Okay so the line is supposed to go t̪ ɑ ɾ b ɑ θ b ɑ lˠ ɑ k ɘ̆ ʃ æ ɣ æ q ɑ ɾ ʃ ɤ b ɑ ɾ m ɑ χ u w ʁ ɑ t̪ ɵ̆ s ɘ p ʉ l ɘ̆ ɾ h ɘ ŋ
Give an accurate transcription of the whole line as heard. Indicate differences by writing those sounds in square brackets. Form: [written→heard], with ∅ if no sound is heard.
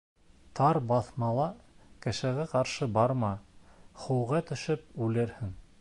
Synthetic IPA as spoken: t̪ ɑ ɾ b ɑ θ [b→m] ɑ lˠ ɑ k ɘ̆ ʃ æ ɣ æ q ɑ ɾ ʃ ɤ b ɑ ɾ m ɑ χ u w ʁ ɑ t̪ ɵ̆ [s→ʃ] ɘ p ʉ l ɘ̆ ɾ h ɘ ŋ